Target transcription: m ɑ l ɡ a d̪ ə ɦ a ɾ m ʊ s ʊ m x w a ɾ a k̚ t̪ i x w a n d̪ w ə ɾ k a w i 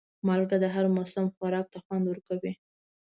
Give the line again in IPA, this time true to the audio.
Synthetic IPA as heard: m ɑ l ɡ a d̪ ə ɦ a ɾ m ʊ s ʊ m x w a ɾ ɑ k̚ t̪ a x w a n d̪ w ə ɾ k a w i